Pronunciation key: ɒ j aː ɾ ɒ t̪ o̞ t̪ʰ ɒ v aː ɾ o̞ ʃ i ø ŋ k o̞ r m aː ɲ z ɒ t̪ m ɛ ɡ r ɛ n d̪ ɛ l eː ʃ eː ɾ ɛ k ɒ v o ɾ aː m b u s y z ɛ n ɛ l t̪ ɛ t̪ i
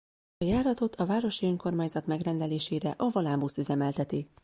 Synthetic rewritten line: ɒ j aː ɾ ɒ t̪ o̞ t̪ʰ ɒ v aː ɾ o̞ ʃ i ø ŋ k o̞ r m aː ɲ z ɒ t̪ m ɛ ɡ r ɛ n d̪ ɛ l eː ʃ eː ɾ ɛ ʔ ɒ v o l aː m b u s y z ɛ m ɛ l t̪ ɛ t̪ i